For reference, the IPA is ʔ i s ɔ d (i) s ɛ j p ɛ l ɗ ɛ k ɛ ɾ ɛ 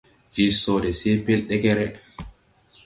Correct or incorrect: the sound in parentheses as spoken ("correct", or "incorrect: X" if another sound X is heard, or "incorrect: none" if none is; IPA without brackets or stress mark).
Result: incorrect: ɛ